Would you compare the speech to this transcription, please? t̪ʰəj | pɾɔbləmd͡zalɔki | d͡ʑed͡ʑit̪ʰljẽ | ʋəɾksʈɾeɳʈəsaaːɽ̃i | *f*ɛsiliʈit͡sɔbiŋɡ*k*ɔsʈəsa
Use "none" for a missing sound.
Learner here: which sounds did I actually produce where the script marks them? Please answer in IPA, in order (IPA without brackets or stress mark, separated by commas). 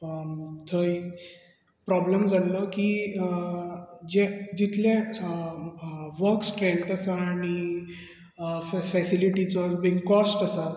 f, k